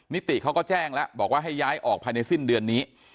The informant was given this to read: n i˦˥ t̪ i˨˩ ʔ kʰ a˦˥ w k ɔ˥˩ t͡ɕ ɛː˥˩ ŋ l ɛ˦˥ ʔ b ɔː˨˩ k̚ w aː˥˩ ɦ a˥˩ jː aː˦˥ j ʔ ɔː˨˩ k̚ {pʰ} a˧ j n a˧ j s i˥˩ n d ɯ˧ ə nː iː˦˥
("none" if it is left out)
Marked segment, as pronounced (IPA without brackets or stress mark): pʰ